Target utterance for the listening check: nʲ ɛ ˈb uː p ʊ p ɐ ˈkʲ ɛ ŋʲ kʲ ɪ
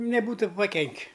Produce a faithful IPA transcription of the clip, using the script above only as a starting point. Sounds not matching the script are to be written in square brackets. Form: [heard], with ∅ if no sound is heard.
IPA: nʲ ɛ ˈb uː [t] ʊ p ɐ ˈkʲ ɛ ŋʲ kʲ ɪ